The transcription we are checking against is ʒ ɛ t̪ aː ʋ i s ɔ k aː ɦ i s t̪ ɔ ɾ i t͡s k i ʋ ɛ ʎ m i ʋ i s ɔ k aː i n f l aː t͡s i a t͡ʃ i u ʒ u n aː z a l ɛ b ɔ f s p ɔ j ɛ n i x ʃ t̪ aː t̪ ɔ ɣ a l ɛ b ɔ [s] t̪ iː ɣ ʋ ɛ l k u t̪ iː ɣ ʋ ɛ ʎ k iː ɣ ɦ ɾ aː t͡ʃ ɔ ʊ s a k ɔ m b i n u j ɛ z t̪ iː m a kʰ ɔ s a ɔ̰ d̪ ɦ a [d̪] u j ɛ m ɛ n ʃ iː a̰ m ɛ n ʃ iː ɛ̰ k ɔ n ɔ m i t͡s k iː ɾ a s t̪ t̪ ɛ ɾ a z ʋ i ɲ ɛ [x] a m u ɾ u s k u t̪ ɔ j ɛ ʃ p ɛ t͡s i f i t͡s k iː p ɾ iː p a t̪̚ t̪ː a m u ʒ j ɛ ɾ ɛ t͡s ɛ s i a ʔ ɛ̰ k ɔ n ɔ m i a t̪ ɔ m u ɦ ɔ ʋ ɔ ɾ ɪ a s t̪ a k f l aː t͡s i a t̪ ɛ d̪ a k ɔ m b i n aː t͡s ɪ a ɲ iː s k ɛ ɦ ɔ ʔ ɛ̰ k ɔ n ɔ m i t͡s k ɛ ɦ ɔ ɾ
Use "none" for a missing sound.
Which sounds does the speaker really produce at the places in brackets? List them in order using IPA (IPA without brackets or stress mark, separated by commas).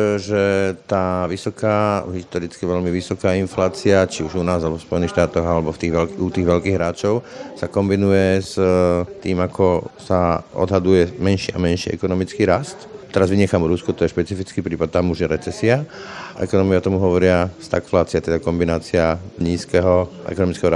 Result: f, d̪, x